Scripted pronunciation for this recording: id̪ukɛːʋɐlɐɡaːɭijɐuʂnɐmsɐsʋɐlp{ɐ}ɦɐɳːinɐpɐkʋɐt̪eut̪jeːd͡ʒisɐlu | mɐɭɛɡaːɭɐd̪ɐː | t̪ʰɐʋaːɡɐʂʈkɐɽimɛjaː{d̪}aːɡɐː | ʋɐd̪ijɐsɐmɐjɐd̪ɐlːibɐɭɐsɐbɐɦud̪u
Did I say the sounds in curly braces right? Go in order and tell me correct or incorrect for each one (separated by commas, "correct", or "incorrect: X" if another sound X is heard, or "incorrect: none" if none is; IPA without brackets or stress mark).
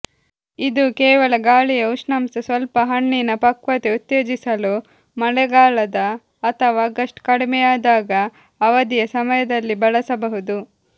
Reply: correct, correct